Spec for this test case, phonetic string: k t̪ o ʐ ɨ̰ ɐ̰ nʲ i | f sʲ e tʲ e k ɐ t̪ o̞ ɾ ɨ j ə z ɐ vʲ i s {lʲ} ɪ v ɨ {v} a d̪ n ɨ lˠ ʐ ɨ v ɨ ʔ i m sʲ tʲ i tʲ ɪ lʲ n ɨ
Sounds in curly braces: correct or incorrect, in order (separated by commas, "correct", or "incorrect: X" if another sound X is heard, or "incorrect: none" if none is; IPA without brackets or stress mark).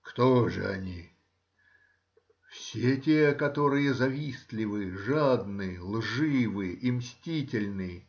correct, incorrect: ʐ